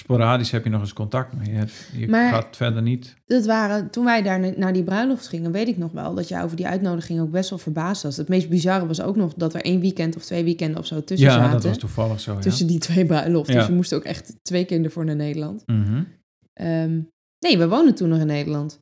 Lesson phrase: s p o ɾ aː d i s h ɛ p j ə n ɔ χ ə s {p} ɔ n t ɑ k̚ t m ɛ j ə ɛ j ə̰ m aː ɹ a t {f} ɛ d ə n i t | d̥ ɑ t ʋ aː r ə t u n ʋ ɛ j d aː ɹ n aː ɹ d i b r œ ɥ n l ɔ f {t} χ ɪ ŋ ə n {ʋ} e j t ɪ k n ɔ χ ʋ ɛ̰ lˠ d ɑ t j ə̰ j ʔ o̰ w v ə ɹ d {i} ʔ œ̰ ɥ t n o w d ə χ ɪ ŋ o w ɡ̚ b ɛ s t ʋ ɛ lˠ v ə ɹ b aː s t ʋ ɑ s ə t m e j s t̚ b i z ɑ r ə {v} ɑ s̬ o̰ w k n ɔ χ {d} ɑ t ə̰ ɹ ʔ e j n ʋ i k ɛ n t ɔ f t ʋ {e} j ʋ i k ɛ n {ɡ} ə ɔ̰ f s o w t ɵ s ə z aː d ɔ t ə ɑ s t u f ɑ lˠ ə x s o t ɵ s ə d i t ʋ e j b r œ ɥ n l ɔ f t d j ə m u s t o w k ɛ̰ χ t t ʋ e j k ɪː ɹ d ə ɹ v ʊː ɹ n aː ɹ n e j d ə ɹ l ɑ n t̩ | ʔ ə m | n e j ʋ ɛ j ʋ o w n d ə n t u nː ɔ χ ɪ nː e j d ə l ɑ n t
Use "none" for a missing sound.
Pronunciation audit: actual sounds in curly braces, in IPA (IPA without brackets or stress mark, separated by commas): k, f, t, ʋ, i, ʋ, d, e, d